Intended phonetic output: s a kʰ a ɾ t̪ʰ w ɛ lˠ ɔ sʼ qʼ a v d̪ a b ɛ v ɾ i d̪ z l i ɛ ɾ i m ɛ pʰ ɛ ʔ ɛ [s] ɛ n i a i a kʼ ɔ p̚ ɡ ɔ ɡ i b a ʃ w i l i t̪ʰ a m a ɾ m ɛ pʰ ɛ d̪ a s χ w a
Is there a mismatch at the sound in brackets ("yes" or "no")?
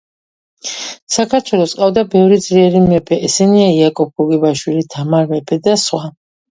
no